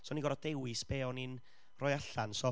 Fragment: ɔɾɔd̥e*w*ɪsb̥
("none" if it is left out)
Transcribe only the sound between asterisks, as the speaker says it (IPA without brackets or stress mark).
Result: w